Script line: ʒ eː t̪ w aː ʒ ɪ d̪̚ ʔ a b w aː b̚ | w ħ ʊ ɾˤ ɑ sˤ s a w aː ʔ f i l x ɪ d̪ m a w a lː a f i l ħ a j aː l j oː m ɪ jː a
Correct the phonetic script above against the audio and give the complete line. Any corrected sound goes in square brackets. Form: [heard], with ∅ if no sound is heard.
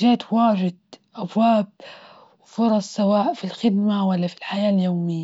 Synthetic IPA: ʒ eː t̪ w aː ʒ ɪ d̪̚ ʔ a b w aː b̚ | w [f] ʊ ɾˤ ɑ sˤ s a w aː ʔ f i l x ɪ d̪ m a w a lː a f i l ħ a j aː l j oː m ɪ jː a